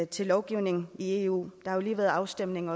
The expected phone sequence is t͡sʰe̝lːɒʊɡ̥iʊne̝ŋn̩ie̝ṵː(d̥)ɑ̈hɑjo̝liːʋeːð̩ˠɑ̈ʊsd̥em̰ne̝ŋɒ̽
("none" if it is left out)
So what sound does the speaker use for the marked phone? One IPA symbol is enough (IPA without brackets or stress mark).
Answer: d̥